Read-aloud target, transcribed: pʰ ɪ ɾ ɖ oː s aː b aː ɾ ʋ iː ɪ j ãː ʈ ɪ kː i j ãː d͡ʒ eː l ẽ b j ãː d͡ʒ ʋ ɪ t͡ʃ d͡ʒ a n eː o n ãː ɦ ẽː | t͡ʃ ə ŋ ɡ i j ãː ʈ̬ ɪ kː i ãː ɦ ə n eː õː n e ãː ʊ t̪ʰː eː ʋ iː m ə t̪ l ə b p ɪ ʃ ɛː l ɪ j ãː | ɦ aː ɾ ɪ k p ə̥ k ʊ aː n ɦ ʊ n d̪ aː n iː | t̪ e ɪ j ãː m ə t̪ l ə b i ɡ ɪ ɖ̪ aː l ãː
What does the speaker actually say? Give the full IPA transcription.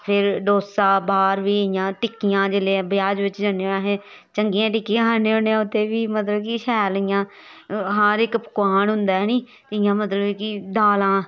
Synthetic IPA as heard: pʰ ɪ ɾ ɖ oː s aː b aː ɾ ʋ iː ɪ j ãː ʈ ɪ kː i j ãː d͡ʒ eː l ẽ b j aː d͡ʒ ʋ ɪ t͡ʃ d͡ʒ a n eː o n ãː ɦ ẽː | t͡ʃ ə ŋ ɡ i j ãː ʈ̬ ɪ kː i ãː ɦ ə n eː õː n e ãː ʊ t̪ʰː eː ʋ iː m ə t̪ l ə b k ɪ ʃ ɛː l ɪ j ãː | ɦ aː ɾ ɪ k p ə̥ k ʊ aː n ɦ ʊ n d̪ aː n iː | t̪ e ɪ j ãː m ə t̪ l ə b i k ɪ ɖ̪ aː l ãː